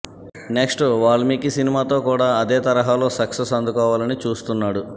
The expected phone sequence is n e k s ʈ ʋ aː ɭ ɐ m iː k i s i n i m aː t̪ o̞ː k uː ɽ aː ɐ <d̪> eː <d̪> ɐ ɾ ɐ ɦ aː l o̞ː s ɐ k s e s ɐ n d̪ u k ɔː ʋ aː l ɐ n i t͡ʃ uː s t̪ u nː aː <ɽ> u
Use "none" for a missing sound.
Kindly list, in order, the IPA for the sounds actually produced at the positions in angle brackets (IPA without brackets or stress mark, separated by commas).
d̪, t̪, ɽ